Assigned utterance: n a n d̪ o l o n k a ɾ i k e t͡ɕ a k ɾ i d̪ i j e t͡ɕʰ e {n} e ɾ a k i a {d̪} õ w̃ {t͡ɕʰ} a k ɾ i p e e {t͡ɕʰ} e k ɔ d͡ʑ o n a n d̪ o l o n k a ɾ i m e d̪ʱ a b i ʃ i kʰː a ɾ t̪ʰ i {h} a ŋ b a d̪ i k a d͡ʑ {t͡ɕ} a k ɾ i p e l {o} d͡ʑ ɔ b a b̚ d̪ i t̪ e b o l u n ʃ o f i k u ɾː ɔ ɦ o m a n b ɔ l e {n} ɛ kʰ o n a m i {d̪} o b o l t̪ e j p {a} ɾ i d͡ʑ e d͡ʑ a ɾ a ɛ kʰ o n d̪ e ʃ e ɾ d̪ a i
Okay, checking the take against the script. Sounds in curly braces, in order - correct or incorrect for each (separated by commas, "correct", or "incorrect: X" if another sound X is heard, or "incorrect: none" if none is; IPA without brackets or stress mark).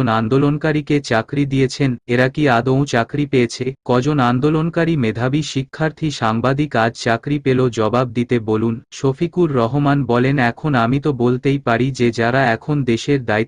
correct, correct, incorrect: t͡ɕ, correct, incorrect: ʃ, correct, correct, correct, incorrect: t̪, correct